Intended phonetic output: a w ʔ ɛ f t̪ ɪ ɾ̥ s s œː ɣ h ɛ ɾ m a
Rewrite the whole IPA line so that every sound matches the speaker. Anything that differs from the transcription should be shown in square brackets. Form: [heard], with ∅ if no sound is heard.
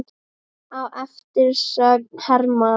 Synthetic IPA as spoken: a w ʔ ɛ f t̪ ɪ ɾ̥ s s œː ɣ h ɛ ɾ m a